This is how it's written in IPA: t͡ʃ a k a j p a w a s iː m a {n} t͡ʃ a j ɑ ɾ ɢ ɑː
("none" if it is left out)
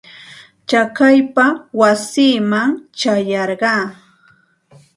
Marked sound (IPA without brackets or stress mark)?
ŋ